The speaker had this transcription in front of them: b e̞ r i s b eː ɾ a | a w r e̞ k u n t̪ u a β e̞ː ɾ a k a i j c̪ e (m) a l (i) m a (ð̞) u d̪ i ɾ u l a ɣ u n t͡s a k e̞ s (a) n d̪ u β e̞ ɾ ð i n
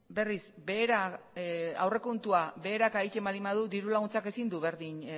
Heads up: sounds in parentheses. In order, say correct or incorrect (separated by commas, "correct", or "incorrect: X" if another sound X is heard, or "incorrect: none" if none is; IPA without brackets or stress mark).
correct, correct, correct, incorrect: i